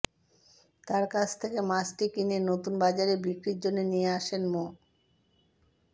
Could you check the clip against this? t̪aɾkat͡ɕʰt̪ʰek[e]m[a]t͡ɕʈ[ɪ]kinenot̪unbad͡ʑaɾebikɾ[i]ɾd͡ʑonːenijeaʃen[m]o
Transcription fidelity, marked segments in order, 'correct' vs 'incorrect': correct, correct, incorrect: i, correct, correct

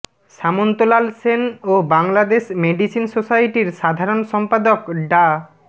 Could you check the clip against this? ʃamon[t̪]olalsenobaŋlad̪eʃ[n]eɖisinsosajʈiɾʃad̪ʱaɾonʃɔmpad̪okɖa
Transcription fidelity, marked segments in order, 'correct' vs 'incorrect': correct, incorrect: m

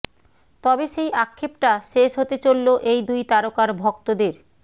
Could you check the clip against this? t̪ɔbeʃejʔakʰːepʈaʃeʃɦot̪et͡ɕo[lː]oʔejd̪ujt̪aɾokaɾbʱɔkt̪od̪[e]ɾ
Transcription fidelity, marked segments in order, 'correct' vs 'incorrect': correct, correct

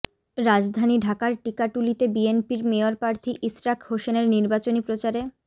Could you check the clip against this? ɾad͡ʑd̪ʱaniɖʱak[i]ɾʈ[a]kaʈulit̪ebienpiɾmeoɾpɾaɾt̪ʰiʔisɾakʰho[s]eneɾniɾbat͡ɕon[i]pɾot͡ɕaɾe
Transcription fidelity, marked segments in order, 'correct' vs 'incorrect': incorrect: a, incorrect: i, incorrect: ʃ, correct

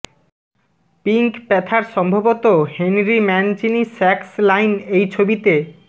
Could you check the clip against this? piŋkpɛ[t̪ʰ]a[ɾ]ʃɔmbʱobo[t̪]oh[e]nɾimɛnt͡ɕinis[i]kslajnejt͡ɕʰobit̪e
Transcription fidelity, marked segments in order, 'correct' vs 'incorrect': correct, correct, correct, correct, incorrect: ɛ

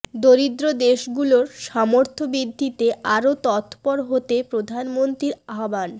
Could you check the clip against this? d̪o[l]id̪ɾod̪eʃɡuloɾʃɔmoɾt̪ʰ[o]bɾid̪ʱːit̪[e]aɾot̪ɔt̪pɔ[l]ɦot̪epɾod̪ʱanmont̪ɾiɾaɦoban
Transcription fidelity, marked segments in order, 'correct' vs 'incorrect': incorrect: ɾ, correct, correct, incorrect: ɾ

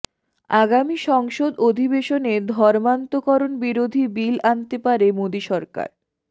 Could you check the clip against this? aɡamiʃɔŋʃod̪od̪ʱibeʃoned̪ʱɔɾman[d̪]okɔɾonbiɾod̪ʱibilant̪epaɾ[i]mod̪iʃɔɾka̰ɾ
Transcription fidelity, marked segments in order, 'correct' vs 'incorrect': incorrect: t̪, incorrect: e

